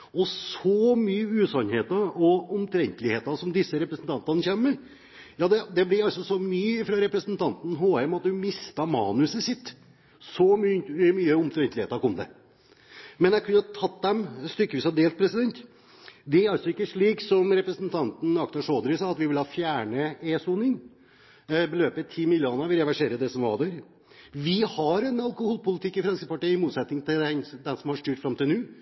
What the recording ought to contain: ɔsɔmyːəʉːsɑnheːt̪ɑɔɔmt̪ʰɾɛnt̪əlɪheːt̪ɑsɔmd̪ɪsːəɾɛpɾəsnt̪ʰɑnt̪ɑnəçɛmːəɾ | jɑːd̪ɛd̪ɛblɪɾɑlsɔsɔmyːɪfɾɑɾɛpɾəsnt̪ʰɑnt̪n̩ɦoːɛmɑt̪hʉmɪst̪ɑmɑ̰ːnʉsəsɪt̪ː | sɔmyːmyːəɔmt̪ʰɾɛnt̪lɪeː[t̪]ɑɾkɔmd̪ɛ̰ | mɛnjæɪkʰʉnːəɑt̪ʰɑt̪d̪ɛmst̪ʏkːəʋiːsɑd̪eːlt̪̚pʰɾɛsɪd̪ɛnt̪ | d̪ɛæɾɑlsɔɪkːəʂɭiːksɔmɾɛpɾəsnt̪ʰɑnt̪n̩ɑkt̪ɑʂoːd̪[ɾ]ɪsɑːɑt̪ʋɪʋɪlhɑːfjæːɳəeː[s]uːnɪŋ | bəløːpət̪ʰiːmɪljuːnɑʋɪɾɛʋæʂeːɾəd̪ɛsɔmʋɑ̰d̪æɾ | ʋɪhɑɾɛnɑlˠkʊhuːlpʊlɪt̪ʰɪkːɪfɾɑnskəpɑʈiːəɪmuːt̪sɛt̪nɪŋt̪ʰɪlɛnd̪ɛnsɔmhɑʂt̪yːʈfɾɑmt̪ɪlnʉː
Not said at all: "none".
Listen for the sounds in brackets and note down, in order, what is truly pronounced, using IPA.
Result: t̪, ɾ, s

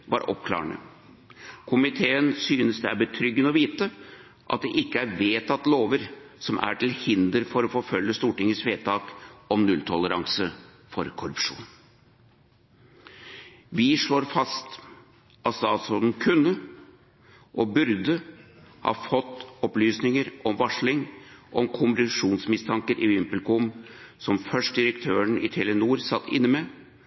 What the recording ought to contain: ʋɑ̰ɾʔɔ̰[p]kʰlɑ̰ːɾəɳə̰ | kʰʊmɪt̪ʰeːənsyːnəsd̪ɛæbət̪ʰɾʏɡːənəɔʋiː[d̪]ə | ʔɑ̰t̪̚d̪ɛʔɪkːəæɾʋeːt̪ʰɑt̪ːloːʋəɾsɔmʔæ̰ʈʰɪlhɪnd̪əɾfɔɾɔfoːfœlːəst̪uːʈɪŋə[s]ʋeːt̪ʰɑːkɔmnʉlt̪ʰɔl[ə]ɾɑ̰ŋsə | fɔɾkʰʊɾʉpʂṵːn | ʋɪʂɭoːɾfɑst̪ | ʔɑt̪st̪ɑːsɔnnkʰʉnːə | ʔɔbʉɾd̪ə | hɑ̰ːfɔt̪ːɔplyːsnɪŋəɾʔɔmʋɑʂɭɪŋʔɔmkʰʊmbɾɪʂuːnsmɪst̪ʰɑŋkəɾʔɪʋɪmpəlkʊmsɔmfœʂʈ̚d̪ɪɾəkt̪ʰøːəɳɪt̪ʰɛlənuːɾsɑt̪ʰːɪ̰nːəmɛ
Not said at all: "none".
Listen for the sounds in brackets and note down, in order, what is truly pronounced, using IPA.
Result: p, t̪, s, ə

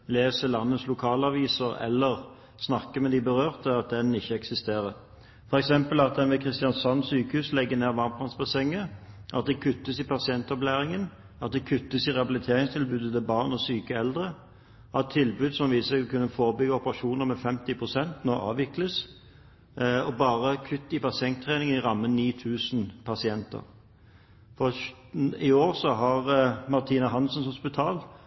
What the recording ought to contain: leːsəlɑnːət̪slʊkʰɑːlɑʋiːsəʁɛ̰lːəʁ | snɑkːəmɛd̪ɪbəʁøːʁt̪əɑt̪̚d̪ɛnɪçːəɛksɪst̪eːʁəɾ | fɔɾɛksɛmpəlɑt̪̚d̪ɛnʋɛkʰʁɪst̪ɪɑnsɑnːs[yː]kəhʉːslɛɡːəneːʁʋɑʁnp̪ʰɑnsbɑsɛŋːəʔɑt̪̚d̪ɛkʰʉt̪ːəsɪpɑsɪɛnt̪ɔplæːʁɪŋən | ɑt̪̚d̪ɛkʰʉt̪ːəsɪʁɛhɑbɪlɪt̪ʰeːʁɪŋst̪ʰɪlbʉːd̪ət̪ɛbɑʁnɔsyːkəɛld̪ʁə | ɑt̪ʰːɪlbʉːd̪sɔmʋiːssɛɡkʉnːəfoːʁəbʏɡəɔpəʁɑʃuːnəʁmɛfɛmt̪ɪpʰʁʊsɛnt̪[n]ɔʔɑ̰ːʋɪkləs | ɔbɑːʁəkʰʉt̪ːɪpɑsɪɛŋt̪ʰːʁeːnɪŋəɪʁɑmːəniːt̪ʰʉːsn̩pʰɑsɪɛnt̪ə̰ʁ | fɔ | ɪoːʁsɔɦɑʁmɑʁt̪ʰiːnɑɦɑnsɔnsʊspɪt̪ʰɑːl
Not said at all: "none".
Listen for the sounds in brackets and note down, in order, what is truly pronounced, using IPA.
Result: yː, n

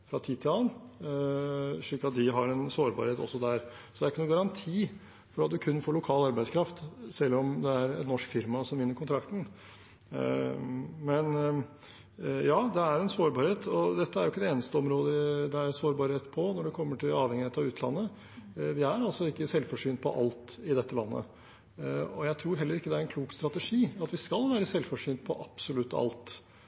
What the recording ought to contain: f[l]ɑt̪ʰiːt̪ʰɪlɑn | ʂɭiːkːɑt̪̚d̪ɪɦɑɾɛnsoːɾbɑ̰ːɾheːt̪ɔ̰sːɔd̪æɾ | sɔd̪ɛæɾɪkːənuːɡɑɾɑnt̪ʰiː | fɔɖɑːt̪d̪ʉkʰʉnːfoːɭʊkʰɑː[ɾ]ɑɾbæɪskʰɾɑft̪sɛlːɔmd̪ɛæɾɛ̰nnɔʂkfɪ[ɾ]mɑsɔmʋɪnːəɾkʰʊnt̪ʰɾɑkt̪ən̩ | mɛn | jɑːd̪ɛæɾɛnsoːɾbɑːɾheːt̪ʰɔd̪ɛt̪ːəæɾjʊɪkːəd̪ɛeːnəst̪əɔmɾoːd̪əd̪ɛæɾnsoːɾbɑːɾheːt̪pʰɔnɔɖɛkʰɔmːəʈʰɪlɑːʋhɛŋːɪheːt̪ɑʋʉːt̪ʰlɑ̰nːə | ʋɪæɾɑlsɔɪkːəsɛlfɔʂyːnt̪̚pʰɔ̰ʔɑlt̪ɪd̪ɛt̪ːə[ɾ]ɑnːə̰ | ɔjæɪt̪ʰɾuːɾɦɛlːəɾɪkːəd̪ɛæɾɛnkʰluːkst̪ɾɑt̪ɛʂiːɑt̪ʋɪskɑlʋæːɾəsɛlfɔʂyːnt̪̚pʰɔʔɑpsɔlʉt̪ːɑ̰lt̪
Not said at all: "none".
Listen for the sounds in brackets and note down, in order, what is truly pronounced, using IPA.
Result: ɾ, l, ɾ, l

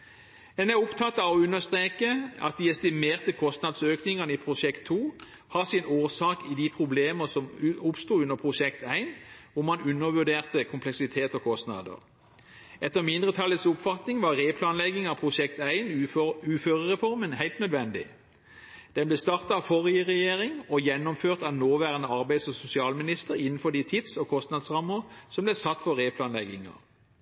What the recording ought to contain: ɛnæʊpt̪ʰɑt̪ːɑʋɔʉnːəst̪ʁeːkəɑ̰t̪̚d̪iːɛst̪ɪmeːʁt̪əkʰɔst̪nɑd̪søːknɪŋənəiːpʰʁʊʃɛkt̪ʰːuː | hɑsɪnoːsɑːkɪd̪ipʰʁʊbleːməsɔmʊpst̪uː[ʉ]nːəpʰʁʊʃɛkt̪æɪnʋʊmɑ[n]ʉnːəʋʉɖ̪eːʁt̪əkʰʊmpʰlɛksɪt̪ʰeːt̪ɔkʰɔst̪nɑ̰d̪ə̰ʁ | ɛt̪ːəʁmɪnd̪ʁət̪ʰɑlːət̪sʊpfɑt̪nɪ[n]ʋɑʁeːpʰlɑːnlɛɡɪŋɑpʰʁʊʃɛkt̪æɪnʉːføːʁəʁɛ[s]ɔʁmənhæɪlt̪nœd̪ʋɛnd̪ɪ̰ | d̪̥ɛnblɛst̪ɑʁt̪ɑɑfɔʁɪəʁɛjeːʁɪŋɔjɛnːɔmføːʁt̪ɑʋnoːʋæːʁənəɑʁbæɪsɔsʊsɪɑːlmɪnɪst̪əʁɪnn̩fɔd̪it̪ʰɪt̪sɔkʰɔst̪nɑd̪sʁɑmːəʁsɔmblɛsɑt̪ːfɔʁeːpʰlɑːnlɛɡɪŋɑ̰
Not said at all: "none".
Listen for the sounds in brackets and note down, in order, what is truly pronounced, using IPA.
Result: ʉ, n, ŋ, f

